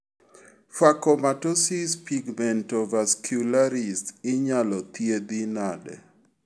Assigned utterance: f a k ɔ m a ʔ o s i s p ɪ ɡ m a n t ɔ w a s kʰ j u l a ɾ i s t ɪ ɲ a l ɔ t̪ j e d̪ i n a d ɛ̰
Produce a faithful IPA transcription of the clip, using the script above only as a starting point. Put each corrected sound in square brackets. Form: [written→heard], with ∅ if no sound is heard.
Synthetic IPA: f a k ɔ m a [ʔ→t] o s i s p [ɪ→i] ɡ m [a→ɛ] n t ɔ [w→v] a s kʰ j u l a ɾ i s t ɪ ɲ a l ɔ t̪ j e d̪ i n a d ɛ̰